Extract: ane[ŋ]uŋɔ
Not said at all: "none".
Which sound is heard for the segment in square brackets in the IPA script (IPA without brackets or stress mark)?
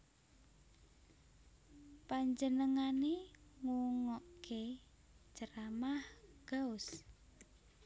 ŋ